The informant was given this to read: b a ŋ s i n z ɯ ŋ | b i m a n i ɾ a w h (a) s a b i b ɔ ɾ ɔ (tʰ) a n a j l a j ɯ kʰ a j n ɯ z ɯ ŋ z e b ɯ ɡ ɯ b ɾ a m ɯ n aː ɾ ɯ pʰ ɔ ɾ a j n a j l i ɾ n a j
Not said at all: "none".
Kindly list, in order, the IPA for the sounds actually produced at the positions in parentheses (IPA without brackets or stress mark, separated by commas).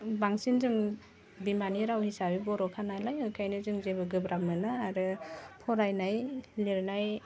i, kʰ